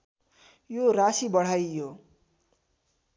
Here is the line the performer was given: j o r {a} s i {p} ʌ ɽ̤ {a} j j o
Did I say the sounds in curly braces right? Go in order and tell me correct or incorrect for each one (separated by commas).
correct, incorrect, correct